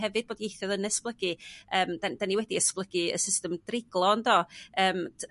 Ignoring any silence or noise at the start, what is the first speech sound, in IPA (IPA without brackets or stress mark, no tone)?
ɛ